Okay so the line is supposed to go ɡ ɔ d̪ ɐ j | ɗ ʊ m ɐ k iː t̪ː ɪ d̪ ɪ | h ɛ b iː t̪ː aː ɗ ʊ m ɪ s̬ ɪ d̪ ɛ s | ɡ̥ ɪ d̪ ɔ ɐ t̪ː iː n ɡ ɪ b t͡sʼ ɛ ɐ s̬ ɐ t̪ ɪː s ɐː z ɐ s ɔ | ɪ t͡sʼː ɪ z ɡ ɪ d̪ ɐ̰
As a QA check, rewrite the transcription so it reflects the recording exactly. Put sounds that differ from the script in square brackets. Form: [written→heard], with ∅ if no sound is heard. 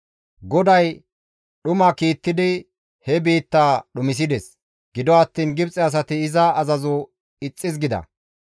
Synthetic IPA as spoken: ɡ ɔ d̪ ɐ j | ɗ ʊ m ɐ k iː t̪ː ɪ d̪ ɪ | h ɛ b iː t̪ː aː ɗ ʊ m ɪ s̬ ɪ d̪ ɛ s | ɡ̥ ɪ d̪ ɔ ɐ t̪ː iː n ɡ ɪ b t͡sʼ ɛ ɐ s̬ ɐ t̪ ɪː [s→z] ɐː z ɐ [s→z] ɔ | ɪ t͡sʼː ɪ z ɡ ɪ d̪ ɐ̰